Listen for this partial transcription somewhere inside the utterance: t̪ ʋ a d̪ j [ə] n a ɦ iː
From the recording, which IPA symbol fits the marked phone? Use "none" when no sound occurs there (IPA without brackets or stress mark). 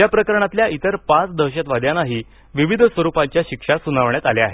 a